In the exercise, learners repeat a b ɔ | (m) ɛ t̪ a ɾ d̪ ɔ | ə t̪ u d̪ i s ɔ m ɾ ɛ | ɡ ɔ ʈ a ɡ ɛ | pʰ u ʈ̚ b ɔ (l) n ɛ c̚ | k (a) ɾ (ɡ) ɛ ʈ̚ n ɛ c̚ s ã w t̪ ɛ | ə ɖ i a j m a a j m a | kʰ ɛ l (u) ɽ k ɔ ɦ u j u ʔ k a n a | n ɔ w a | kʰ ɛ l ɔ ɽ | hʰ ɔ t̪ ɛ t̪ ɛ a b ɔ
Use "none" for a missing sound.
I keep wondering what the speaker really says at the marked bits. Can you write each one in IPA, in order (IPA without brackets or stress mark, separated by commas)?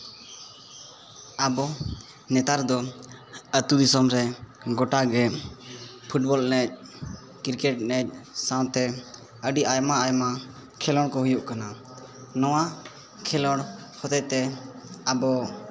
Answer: n, l, i, k, ɔ